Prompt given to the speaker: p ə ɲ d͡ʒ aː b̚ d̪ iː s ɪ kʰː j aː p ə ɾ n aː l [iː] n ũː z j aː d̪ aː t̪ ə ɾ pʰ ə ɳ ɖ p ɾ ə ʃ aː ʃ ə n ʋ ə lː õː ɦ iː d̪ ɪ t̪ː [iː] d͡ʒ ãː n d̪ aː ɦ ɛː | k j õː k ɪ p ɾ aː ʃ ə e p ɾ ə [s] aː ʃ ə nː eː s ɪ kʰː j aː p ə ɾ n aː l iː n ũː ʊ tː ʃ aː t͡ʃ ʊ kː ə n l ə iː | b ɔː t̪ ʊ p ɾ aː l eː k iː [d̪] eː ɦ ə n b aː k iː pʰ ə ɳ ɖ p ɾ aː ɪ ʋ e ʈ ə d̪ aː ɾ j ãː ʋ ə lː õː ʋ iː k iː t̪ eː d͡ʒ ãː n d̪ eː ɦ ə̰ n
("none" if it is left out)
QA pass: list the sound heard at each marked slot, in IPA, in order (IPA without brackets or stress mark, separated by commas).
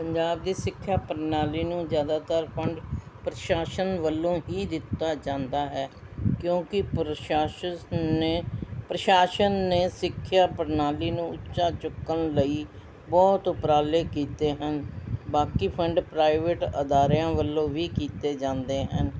iː, aː, ʃ, t̪